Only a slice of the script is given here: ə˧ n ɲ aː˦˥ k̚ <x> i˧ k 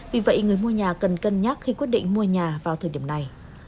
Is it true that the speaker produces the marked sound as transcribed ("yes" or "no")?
yes